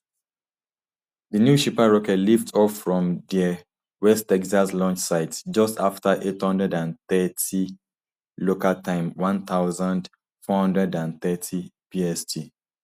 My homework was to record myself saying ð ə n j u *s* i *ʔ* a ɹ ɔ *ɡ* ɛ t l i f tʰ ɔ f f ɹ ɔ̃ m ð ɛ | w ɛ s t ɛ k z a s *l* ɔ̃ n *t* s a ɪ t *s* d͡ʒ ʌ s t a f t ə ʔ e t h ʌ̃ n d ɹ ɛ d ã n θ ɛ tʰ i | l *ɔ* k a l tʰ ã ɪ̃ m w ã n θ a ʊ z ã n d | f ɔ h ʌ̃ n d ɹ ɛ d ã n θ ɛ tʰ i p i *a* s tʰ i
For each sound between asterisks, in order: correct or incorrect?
incorrect, incorrect, incorrect, correct, incorrect, correct, incorrect, incorrect

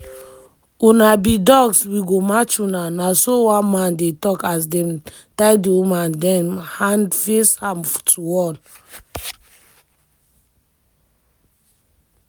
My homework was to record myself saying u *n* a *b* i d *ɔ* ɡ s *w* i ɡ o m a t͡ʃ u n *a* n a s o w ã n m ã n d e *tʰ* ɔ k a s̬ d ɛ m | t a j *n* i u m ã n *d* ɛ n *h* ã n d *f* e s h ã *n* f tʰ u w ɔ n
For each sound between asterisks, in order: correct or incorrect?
correct, correct, correct, correct, correct, incorrect, incorrect, correct, correct, correct, incorrect

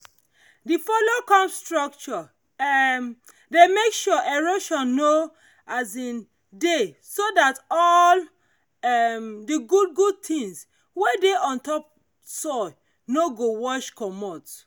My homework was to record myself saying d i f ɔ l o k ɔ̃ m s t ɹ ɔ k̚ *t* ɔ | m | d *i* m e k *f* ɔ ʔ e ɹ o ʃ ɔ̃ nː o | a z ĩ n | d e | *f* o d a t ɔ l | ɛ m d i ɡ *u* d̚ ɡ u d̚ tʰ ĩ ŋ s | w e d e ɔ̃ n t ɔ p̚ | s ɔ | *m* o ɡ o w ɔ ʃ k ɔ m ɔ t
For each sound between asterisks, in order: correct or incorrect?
incorrect, incorrect, incorrect, incorrect, correct, incorrect

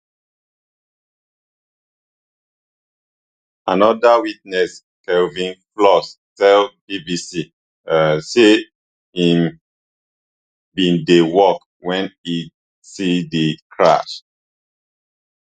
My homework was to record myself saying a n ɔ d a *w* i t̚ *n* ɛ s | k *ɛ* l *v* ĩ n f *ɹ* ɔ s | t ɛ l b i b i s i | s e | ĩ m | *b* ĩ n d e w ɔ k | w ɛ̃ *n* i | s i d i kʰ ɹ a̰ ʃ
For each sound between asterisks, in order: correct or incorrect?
correct, correct, correct, correct, incorrect, correct, correct

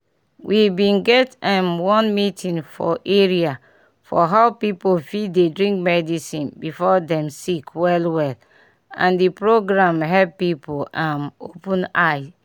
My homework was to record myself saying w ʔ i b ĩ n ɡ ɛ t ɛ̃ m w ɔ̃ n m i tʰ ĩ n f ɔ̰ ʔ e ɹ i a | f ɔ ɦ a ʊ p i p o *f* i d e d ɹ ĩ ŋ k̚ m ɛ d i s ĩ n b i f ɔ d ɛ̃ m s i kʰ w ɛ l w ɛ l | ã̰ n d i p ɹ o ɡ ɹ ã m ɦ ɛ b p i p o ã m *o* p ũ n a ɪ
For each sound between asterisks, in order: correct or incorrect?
correct, correct

